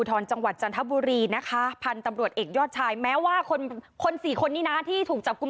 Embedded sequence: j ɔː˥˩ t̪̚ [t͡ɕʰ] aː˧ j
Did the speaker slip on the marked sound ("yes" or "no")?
no